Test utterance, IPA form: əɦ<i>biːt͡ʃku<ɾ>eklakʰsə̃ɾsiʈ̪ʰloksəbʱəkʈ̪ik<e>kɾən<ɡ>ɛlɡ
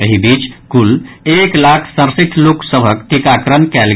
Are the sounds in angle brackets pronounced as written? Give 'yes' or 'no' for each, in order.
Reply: yes, no, no, no

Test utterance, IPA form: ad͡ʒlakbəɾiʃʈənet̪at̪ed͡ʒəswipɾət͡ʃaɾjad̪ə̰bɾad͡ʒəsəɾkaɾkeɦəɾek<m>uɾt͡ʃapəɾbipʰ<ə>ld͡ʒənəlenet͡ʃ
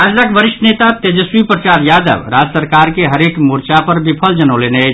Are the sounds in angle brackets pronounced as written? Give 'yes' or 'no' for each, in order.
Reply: yes, yes

